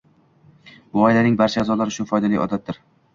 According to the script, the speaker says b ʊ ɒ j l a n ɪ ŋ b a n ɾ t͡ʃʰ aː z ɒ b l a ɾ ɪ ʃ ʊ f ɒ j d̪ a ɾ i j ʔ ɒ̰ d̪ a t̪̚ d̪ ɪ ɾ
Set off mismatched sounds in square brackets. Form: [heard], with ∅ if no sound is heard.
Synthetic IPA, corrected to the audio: b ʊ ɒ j l a n ɪ ŋ b a [∅] ɾ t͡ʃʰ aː z ɒ [∅] l a ɾ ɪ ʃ ʊ f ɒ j d̪ a [l] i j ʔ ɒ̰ d̪ a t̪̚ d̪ ɪ ɾ